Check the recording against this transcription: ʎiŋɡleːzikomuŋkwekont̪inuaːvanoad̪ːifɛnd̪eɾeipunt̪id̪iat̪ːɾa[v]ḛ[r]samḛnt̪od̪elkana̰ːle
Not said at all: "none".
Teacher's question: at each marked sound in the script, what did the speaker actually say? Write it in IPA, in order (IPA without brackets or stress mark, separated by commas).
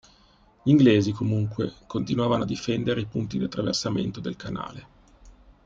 v, r